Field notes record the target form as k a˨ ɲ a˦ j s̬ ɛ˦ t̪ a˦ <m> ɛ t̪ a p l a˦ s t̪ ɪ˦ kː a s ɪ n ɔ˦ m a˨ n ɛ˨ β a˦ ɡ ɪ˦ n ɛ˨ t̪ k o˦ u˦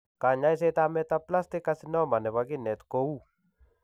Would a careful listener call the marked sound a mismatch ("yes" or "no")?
no